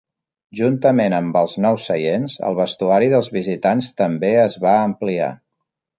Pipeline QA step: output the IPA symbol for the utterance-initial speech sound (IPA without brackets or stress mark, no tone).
ʒ